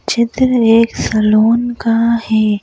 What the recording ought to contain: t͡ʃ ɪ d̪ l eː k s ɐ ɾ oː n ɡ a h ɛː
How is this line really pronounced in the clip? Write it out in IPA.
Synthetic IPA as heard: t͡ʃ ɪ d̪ ɾ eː k s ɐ l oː n k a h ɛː